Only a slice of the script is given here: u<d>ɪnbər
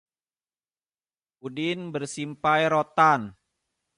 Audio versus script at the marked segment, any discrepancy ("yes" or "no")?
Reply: no